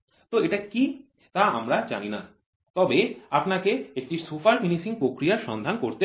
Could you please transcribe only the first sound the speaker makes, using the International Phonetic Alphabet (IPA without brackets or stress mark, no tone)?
t̪